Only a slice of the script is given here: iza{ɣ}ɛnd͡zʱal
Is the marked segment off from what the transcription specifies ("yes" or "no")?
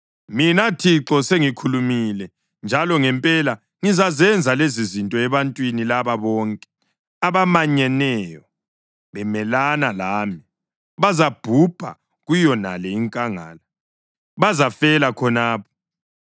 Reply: yes